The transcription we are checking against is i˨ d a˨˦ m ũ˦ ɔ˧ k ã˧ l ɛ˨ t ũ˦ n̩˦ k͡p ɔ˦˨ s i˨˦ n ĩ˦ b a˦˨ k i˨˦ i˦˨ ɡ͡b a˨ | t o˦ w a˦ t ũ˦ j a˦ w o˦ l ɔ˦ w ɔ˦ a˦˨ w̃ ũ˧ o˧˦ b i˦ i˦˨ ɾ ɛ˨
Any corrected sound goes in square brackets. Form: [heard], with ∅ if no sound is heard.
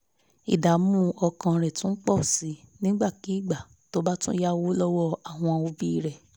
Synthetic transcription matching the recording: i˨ d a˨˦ m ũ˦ ɔ˧ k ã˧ [ɾ] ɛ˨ t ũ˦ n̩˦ k͡p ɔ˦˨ s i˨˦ n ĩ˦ [ɡ͡b] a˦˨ k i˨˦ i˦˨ ɡ͡b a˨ | t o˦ [b] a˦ t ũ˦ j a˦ w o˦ l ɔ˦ w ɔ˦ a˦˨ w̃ [ɔ̃˧] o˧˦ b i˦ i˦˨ ɾ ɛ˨